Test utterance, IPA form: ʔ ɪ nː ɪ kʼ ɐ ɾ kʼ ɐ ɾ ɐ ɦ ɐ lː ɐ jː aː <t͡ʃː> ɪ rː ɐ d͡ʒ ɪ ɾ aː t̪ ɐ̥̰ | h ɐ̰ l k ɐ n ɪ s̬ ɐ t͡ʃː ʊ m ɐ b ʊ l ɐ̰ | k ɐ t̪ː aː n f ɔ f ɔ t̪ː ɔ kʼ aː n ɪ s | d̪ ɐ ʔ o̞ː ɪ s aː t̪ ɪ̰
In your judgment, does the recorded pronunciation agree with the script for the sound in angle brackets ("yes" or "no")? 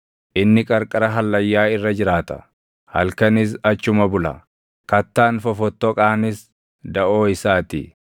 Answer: no